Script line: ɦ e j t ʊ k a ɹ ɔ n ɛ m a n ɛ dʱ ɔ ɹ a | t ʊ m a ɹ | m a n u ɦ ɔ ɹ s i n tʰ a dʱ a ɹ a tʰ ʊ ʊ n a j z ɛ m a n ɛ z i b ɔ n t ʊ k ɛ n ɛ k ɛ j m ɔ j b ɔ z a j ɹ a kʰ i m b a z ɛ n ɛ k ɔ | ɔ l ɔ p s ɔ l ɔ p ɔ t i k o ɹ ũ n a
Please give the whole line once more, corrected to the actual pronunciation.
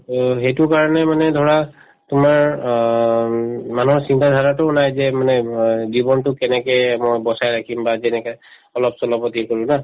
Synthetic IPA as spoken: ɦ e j t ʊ k a ɹ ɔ n ɛ m a n ɛ dʱ ɔ ɹ a | t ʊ m a ɹ | m a n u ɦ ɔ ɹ s i n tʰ a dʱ a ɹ a t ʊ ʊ n a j z ɛ m a n ɛ z i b ɔ n t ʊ k ɛ n ɛ k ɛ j m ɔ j b ɔ s a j ɹ a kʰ i m b a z ɛ n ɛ k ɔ | ɔ l ɔ p s ɔ l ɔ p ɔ t i k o ɹ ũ n a